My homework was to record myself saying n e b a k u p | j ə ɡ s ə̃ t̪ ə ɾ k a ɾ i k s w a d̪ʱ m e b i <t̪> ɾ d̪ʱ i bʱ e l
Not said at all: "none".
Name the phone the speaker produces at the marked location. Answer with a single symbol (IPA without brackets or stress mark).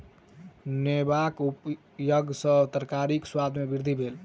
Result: none